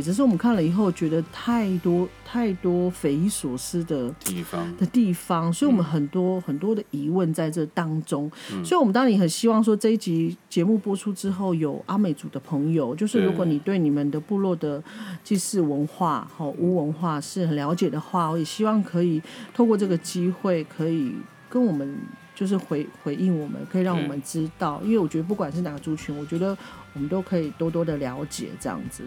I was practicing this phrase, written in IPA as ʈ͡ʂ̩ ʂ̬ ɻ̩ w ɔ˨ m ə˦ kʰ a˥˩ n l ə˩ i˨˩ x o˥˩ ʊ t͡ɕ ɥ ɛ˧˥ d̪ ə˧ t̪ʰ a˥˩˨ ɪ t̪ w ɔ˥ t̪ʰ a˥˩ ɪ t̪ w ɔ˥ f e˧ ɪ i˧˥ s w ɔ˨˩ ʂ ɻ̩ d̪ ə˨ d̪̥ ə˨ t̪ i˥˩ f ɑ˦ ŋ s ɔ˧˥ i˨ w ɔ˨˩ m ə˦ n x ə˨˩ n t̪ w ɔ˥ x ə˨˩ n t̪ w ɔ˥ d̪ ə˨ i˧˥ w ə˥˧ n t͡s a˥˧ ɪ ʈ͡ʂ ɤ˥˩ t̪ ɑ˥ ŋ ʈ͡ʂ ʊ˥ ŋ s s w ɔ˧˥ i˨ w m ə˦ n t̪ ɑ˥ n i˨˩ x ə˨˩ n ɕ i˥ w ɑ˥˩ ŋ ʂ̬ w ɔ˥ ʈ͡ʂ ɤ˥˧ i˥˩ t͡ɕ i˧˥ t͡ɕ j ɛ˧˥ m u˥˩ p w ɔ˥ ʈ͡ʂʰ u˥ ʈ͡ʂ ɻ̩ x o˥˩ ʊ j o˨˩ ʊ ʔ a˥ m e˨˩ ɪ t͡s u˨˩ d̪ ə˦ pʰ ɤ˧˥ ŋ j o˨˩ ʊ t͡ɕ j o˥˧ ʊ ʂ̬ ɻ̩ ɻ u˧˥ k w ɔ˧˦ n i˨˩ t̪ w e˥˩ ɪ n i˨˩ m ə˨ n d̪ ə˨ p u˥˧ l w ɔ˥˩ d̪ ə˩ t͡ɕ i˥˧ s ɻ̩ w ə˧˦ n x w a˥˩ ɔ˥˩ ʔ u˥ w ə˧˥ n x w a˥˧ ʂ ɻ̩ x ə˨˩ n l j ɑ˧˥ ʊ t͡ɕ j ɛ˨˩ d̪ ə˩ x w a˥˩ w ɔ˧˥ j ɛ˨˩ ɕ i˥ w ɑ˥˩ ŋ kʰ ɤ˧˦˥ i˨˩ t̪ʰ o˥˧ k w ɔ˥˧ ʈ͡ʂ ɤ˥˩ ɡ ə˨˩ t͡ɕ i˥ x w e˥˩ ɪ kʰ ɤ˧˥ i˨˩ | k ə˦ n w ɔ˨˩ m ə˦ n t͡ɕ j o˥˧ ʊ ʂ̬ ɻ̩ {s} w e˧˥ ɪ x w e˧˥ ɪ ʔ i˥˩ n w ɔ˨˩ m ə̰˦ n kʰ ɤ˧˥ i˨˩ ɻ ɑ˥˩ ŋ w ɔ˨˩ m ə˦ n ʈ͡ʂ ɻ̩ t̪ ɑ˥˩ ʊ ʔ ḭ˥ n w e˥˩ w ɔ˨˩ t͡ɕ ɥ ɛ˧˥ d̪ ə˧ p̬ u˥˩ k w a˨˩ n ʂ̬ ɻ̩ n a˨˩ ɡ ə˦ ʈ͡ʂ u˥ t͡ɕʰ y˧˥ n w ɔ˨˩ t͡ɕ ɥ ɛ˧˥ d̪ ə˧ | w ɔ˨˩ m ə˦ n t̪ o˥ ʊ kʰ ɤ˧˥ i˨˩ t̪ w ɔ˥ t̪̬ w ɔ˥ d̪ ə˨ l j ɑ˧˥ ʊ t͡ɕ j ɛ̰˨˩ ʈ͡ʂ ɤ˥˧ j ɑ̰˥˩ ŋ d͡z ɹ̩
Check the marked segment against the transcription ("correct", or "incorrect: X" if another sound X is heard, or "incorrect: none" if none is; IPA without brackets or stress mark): incorrect: x